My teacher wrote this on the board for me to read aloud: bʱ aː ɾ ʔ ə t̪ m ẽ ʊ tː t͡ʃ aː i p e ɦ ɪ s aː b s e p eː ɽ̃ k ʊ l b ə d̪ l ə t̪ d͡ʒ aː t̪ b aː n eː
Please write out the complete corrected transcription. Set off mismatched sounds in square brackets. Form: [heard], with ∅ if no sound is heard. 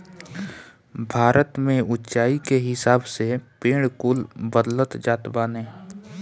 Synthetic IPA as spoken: bʱ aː ɾ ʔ ə t̪ m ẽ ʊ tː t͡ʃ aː i [k] e ɦ ɪ s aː b s e p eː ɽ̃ k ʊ l b ə d̪ l ə t̪ d͡ʒ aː t̪ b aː n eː